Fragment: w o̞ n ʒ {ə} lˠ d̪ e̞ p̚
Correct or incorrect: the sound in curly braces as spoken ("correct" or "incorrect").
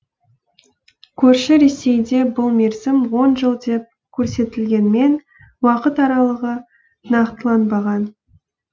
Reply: correct